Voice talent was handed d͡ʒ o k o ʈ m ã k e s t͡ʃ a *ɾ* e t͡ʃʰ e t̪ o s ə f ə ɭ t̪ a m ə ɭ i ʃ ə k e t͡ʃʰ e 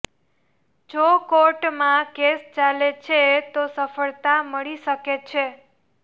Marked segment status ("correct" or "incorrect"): incorrect